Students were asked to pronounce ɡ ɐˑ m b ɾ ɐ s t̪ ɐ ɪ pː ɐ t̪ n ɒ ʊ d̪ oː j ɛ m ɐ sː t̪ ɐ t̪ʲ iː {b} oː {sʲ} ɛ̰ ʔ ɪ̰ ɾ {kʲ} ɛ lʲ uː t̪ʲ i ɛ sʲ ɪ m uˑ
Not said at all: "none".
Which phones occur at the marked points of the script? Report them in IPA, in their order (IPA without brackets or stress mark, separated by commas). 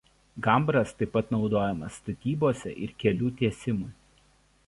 b, sʲ, kʲ